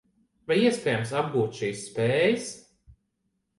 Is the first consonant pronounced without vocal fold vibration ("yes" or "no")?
no